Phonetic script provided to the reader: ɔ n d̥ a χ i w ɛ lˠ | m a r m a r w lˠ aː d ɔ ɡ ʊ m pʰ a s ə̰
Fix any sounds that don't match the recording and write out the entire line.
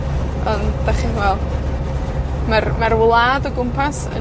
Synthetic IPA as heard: ɔ n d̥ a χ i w ɛ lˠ | m a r m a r w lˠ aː d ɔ ɡ ʊ m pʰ a s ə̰